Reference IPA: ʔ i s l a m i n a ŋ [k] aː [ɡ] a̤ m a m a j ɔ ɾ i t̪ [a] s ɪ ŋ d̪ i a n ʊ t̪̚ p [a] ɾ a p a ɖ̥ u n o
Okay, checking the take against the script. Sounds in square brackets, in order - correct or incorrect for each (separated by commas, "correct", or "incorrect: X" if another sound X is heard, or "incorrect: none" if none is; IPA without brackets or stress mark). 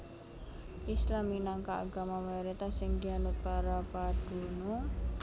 correct, correct, correct, correct